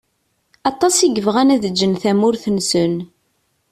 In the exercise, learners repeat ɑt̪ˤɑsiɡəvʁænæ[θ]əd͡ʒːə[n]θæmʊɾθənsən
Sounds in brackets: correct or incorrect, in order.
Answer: incorrect, correct

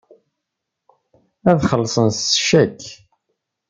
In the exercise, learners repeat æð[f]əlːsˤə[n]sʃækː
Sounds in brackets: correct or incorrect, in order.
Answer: incorrect, correct

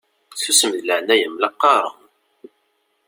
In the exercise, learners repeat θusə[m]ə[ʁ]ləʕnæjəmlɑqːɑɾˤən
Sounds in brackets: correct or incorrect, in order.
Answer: correct, incorrect

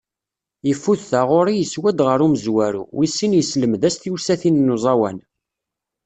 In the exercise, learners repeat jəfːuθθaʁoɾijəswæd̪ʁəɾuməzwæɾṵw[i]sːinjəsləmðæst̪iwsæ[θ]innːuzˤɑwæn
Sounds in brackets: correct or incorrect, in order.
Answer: correct, correct

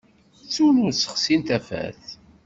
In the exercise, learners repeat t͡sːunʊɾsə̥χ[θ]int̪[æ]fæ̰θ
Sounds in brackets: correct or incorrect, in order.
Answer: incorrect, correct

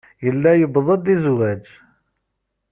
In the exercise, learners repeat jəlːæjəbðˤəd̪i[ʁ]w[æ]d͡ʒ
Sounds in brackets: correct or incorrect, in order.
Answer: incorrect, correct

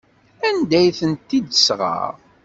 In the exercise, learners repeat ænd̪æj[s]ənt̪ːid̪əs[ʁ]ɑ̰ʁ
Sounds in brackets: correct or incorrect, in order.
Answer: incorrect, correct

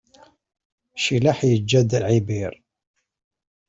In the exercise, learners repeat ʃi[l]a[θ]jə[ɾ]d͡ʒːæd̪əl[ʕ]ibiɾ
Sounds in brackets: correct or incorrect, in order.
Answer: correct, incorrect, incorrect, correct

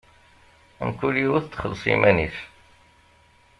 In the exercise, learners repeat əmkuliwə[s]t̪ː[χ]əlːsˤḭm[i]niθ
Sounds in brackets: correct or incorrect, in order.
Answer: incorrect, correct, incorrect

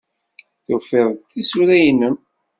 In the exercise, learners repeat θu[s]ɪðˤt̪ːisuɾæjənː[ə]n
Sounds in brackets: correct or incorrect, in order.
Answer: incorrect, correct

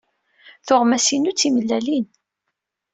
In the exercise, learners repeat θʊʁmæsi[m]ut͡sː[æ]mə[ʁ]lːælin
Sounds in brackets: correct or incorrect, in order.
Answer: incorrect, incorrect, incorrect

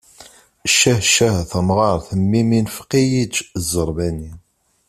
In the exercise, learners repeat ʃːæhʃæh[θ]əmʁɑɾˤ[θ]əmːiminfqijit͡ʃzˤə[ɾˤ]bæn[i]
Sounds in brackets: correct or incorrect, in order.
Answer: correct, correct, correct, correct

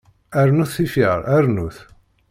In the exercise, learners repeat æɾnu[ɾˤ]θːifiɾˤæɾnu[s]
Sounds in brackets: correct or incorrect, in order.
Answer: incorrect, incorrect

